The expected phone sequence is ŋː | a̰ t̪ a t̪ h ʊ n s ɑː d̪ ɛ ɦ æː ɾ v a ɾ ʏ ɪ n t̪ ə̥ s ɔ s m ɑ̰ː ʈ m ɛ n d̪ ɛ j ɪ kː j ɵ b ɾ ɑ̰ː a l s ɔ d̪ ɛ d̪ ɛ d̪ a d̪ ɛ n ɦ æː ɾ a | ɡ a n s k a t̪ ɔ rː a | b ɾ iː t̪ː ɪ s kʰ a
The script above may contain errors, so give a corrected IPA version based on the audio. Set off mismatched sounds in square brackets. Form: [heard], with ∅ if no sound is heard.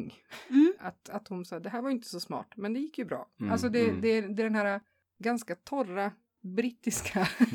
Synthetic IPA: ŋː | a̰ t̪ a t̪ h ʊ n s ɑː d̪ ɛ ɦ æː ɾ v a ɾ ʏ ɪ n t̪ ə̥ s ɔ s m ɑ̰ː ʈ m ɛ n d̪ ɛ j ɪ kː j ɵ b ɾ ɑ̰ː a l s ɔ d̪ ɛ d̪ ɛ d̪ [ɛ] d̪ ɛ n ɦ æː ɾ a | ɡ a n s k a [t̪ʰ] ɔ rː a | b ɾ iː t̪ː ɪ s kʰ a